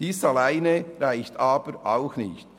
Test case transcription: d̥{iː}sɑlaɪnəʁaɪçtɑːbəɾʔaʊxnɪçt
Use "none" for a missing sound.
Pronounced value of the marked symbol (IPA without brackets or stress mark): iː